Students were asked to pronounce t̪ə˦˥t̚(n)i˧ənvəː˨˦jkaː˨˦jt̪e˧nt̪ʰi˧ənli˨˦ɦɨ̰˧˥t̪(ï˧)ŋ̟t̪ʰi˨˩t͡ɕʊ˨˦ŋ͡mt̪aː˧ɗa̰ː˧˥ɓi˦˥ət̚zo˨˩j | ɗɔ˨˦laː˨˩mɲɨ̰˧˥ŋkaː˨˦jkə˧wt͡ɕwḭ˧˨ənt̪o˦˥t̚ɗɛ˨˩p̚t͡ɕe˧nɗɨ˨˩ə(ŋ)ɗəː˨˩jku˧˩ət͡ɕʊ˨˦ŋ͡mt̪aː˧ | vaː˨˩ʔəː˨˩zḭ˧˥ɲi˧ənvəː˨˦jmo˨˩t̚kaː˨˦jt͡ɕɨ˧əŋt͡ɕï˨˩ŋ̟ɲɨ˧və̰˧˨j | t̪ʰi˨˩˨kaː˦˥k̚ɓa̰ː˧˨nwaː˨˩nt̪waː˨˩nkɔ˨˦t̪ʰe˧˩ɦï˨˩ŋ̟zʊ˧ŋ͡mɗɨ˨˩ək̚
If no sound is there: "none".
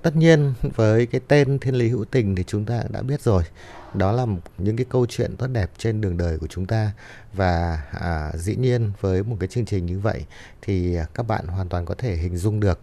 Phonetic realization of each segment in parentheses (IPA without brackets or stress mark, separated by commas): ɲ, ï˨˩, ŋ